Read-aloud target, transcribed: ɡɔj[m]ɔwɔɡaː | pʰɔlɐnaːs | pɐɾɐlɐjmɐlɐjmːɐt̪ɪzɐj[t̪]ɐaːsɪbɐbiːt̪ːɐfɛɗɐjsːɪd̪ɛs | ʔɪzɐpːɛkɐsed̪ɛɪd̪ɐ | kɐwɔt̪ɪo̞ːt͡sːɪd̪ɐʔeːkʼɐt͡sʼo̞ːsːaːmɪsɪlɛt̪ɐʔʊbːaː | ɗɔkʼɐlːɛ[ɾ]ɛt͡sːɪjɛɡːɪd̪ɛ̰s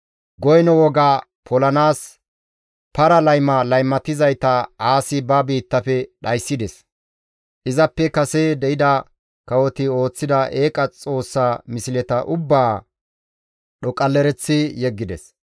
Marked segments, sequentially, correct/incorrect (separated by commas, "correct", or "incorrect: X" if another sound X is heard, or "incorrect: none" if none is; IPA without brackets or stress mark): incorrect: n, correct, correct